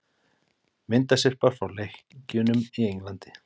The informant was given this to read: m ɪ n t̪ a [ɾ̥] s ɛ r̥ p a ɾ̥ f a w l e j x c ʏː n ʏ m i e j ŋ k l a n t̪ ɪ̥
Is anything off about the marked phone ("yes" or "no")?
yes